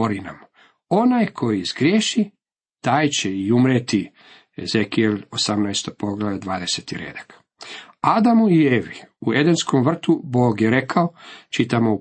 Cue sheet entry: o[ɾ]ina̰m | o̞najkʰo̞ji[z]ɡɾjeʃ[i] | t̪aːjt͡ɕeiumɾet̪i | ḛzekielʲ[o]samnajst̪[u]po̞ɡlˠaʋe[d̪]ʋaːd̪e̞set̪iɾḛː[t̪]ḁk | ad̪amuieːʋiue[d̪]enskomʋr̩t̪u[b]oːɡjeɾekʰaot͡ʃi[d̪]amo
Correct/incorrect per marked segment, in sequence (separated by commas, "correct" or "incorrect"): correct, correct, correct, correct, incorrect, correct, incorrect, correct, correct, incorrect